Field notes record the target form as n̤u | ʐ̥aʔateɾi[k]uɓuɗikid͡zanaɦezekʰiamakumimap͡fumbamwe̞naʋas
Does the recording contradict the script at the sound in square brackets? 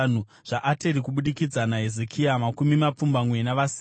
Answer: no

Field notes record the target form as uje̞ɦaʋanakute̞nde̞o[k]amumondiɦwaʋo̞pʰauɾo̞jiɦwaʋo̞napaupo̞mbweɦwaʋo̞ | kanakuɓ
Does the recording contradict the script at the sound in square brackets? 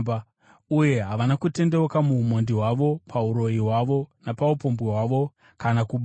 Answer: no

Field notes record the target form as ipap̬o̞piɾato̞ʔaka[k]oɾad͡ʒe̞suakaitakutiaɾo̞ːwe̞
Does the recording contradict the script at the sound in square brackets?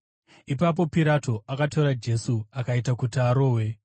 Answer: yes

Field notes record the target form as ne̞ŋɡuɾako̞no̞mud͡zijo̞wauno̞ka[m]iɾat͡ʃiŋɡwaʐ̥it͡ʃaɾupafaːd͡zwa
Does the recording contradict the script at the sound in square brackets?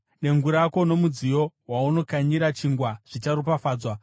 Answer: yes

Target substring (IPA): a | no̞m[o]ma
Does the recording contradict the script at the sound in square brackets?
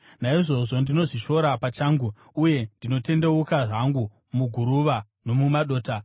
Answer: yes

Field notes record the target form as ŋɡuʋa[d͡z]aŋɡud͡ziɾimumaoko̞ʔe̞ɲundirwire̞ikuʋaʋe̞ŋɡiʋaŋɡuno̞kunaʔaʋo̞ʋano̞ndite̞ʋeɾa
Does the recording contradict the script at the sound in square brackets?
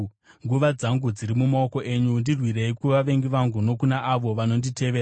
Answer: no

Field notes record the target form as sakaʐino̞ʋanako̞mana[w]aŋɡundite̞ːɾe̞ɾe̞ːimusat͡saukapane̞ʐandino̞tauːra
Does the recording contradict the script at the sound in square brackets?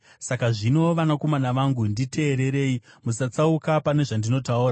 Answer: yes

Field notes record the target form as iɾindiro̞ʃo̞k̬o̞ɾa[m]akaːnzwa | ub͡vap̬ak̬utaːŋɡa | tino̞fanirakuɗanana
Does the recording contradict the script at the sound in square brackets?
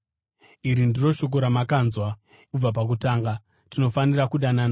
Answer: no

